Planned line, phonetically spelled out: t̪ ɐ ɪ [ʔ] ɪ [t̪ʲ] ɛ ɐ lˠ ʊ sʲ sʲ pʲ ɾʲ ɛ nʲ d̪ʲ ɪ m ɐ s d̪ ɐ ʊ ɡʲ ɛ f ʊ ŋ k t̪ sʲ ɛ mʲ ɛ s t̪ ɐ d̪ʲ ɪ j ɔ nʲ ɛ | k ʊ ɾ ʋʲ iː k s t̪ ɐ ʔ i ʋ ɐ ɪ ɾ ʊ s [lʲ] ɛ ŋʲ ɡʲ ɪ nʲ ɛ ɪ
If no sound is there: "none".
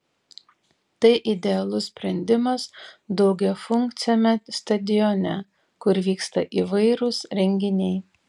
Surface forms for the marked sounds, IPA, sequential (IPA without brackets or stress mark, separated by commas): ʔ, d̪ʲ, ɾʲ